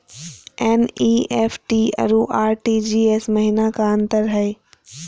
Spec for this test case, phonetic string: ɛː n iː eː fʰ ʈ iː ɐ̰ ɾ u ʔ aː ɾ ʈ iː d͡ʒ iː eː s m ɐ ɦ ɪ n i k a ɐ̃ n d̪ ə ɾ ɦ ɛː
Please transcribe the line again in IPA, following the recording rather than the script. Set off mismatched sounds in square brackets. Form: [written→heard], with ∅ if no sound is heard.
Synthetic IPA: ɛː n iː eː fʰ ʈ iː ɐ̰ ɾ u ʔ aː ɾ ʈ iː d͡ʒ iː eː s m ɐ ɦ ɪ n [i→a] k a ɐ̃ n [d̪→t̪] ə ɾ ɦ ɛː